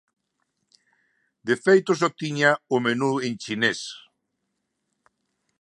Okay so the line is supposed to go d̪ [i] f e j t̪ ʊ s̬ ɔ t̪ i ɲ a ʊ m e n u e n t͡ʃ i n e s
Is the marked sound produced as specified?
no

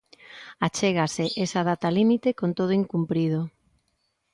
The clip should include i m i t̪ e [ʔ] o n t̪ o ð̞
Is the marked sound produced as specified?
no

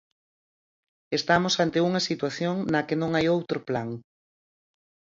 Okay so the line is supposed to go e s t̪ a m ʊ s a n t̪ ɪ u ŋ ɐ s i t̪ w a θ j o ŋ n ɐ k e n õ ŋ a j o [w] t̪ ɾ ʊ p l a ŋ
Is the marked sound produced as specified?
yes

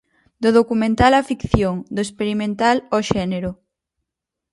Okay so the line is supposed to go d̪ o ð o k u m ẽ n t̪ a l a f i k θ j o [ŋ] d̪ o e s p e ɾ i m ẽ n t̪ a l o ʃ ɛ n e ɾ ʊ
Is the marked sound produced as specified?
yes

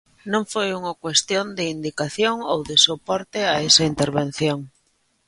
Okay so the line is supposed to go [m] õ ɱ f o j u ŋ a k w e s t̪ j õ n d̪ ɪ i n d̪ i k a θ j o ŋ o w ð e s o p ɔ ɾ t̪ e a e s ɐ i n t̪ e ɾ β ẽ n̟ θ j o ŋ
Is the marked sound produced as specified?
no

